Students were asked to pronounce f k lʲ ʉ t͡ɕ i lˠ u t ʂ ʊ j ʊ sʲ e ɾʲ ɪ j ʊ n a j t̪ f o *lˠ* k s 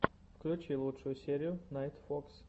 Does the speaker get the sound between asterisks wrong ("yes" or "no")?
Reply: yes